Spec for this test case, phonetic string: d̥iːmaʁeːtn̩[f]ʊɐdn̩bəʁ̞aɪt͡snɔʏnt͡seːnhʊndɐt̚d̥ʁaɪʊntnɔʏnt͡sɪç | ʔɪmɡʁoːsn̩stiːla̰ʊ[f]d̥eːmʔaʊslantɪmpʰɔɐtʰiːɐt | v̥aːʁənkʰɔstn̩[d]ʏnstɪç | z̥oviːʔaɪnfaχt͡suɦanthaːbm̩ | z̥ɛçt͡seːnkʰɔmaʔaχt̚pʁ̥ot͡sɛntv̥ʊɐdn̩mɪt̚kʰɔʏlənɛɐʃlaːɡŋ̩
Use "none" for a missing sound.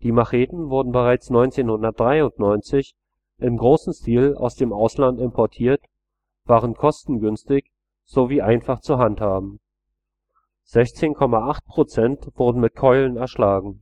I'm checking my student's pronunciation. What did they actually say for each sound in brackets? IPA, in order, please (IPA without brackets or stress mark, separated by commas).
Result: v, s, ɡ